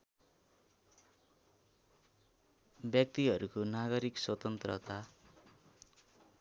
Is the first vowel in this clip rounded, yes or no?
no